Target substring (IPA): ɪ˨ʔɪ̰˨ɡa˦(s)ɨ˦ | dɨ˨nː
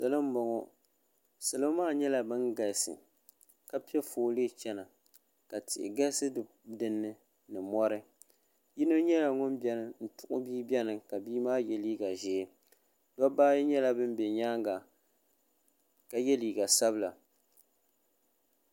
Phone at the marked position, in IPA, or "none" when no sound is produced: s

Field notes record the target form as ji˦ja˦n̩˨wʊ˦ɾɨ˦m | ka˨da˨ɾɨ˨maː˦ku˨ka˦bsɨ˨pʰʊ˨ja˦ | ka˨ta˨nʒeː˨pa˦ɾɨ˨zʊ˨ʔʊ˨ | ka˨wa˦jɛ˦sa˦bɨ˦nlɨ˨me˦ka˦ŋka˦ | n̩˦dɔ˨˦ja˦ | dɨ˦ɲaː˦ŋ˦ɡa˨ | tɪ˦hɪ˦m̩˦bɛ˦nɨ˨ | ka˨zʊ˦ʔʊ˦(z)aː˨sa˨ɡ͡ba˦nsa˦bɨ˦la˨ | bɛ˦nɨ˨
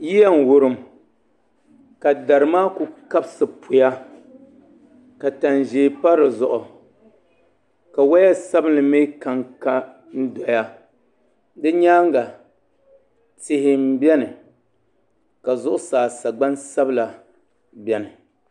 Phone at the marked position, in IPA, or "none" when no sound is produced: s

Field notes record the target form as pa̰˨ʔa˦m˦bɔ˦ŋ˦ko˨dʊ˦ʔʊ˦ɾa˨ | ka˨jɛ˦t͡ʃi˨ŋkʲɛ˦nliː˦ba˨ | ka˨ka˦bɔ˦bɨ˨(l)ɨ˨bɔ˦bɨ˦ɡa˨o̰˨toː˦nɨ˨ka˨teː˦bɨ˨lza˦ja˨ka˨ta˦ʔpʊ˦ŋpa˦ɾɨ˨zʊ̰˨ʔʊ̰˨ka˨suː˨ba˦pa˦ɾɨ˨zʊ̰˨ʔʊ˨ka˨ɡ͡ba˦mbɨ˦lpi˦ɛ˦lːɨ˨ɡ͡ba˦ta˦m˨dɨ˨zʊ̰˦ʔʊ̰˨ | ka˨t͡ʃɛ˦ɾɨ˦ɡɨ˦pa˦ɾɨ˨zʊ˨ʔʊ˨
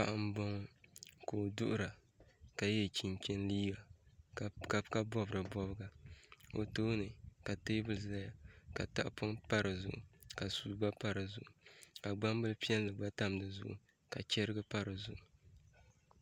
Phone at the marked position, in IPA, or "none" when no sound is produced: ɾ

